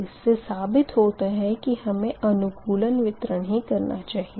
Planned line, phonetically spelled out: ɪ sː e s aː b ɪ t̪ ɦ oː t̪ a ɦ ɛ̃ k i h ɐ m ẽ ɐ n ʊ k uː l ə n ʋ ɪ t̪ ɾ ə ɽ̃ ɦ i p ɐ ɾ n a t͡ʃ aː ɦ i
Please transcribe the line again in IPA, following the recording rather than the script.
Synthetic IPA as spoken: ɪ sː e s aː b ɪ t̪ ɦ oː t̪ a ɦ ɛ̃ k i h ɐ m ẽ ɐ n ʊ k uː l ə n ʋ ɪ t̪ ɾ ə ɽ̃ ɦ i k ɐ ɾ n a t͡ʃ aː ɦ i